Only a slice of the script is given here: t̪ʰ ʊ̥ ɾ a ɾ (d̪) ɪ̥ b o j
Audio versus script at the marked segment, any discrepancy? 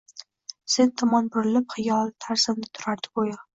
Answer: no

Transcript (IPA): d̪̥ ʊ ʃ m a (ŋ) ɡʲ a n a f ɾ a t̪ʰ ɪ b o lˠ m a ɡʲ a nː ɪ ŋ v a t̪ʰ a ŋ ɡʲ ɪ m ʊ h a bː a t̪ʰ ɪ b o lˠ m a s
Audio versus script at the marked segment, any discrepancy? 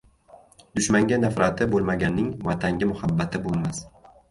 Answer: no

